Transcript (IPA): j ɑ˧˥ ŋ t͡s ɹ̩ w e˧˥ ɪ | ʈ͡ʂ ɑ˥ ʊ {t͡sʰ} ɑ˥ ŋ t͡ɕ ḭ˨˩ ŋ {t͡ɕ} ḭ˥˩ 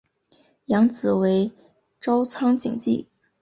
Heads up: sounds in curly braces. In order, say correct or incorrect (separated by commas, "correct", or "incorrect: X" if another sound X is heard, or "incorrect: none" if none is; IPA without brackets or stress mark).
correct, correct